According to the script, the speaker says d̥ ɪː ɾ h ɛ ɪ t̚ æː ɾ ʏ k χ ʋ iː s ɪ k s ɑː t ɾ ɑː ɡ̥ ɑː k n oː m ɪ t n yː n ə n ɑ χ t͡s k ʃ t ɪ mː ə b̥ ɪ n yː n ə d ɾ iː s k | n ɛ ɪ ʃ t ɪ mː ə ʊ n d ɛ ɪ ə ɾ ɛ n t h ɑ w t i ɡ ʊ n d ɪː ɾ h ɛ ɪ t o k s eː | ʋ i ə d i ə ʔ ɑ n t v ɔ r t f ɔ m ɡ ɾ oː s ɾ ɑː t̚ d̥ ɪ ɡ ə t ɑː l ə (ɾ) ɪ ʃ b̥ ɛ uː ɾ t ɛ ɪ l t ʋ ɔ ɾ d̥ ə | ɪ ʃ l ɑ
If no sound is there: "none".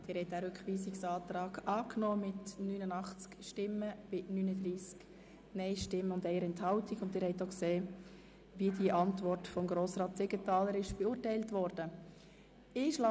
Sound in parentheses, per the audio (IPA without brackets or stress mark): ɾ